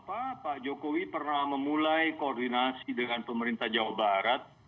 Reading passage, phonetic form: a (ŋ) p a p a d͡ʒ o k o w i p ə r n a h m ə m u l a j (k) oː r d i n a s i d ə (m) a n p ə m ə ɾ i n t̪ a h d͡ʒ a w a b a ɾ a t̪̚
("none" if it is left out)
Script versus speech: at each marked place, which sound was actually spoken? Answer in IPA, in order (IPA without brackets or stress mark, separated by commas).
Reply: none, k, ŋ